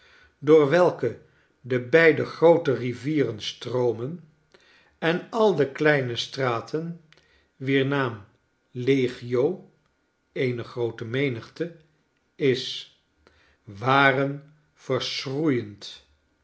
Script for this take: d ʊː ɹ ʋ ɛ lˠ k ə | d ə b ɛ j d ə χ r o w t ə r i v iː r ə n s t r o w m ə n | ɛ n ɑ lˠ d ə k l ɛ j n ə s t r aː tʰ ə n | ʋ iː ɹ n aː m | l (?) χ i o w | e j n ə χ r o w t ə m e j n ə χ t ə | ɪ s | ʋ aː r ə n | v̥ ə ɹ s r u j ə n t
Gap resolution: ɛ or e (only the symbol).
e